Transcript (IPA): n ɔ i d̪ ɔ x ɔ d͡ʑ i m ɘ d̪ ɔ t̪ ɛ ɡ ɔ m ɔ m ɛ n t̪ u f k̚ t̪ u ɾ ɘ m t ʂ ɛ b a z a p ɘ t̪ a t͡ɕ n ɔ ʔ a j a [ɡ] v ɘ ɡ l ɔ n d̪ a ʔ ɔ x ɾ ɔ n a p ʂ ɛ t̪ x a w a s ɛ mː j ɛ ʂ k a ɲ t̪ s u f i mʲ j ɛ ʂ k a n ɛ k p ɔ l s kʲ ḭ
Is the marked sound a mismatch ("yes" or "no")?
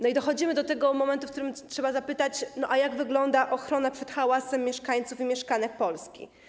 no